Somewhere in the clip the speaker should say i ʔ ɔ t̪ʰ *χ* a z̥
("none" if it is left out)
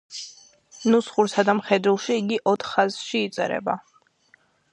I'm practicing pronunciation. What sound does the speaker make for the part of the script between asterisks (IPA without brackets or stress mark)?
χ